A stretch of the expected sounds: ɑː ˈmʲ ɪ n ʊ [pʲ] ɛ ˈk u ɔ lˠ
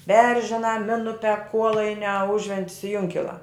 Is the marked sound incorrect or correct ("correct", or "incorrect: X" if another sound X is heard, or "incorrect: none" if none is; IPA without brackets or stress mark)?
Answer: correct